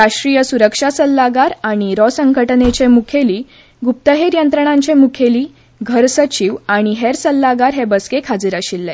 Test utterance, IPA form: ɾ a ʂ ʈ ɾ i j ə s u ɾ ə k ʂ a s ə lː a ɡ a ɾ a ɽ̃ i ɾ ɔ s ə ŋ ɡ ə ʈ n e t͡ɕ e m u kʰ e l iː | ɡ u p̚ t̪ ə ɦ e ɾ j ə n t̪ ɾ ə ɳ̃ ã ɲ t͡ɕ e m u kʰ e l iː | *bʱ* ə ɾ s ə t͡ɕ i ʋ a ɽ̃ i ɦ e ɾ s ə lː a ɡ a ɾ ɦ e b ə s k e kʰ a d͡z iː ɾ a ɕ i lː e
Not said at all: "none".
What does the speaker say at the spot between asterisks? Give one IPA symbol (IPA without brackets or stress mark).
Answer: ɡʱ